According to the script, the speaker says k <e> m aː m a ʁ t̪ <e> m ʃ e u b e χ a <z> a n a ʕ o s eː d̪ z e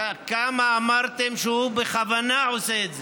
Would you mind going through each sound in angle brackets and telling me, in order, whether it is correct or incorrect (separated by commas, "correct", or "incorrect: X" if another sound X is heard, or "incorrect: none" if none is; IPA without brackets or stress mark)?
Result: incorrect: a, correct, incorrect: v